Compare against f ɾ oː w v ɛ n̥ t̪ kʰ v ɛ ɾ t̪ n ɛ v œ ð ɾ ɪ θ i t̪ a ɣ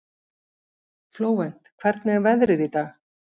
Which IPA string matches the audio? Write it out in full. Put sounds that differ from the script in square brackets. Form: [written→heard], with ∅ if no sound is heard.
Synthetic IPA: f [ɾ→l] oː w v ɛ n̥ t̪ kʰ v ɛ ɾ t̪ n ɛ v [œ→ɛ] ð ɾ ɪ [θ→ð] i t̪ a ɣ

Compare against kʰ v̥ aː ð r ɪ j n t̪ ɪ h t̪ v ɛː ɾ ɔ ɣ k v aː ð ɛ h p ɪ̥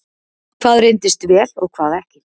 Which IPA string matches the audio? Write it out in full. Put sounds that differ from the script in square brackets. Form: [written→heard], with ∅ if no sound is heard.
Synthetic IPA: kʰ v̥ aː ð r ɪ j n t̪ ɪ [h→s] t̪ v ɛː [ɾ→l] ɔ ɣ [k→kʰ] v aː ð ɛ h [p→c] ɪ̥

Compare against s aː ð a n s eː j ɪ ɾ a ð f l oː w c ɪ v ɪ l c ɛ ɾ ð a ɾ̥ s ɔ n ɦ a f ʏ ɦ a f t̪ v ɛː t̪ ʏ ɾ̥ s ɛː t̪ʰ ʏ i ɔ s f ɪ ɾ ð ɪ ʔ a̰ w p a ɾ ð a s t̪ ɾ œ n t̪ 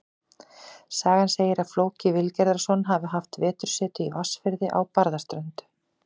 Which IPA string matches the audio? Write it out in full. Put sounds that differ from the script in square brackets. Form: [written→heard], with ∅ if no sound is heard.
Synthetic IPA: s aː [ð→ɣ] a n s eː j ɪ ɾ a ð f l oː w c ɪ v ɪ l c ɛ ɾ ð a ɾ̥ s ɔ n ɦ a [f→v] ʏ ɦ a f t̪ v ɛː t̪ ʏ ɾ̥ s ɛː [t̪ʰ→t̪] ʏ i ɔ s f ɪ ɾ ð ɪ ʔ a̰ w p a ɾ ð a s t̪ ɾ œ n t̪

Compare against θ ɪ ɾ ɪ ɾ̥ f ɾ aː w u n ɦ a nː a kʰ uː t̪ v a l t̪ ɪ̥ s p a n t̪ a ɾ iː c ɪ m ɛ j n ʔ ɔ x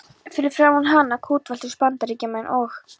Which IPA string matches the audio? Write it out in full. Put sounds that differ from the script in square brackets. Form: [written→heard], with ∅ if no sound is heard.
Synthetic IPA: [θ→f] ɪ ɾ ɪ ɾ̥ f ɾ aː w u n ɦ a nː a kʰ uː t̪ v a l t̪ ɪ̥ s p a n t̪ a ɾ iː c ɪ m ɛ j n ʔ ɔ x

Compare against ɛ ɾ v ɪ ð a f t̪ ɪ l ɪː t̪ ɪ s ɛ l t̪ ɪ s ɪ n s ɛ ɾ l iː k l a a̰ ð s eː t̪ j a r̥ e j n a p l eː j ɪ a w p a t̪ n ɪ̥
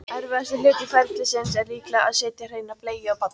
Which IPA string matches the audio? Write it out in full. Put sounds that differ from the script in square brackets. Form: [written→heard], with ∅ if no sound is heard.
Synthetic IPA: ɛ ɾ v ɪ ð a [f→s] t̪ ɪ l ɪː t̪ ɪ [s→f] ɛ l t̪ ɪ s ɪ n s ɛ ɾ l iː k l a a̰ ð s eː t̪ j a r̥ e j n a p l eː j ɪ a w p a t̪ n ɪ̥

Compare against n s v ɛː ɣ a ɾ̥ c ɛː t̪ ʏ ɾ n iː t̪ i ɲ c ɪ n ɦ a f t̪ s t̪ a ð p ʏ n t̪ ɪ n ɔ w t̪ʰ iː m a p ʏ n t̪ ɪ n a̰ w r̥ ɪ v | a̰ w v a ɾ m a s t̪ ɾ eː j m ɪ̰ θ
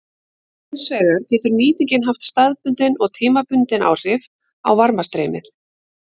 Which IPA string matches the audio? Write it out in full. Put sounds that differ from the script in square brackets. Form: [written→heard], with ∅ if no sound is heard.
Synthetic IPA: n s v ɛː ɣ a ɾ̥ c ɛː t̪ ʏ ɾ n iː t̪ i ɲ c ɪ n ɦ a f t̪ s t̪ a ð p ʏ n t̪ ɪ n ɔ [w→ɣ] t̪ʰ iː m a p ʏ n t̪ ɪ n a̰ w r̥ ɪ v | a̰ w v a ɾ m a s t̪ ɾ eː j m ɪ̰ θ

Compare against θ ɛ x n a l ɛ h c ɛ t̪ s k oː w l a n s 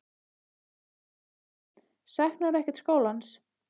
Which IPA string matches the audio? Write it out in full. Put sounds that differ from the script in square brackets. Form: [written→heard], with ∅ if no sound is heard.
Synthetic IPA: [θ→s] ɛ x n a [l→ɾ] ɛ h c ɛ t̪ s k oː w l a n s

